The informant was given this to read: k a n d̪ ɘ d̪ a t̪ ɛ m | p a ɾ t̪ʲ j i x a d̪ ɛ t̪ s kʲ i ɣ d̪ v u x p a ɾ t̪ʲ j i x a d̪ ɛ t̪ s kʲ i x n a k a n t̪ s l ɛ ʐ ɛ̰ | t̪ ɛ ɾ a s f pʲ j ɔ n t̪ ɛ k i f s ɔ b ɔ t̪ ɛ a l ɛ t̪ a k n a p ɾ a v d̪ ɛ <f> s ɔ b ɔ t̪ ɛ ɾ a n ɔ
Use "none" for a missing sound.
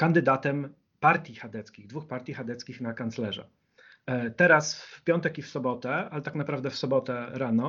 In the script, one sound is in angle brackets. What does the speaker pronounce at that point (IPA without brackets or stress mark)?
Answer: f